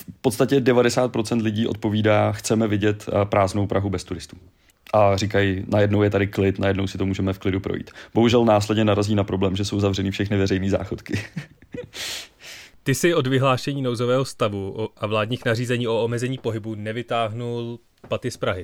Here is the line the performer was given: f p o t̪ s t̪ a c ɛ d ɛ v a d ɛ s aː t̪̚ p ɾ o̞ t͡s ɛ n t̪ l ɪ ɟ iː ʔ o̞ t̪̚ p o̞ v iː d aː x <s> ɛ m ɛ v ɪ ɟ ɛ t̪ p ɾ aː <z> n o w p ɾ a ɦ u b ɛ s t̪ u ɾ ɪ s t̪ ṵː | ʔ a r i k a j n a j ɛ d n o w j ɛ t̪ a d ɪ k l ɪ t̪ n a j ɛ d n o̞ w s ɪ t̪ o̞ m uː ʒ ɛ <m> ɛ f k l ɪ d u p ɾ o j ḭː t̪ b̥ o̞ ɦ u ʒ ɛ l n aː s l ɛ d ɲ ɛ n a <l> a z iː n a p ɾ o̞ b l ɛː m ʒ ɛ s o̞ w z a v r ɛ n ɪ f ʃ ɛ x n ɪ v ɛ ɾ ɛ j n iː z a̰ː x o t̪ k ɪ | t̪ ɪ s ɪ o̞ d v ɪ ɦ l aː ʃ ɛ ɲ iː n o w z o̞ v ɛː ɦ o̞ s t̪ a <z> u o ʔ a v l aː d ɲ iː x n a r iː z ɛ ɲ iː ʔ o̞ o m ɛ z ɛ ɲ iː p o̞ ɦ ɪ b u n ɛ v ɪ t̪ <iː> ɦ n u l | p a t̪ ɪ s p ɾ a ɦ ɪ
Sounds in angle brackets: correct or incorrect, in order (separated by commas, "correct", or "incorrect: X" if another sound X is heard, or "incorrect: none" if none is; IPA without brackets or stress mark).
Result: incorrect: t͡s, correct, correct, incorrect: ɾ, incorrect: v, incorrect: aː